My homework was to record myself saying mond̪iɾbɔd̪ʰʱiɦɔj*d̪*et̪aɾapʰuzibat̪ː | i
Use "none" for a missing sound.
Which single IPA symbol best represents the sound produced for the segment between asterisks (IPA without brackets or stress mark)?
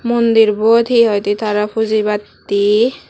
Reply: t̪